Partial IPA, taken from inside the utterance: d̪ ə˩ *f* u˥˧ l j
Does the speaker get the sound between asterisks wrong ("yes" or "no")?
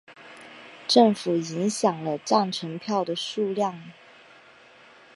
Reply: yes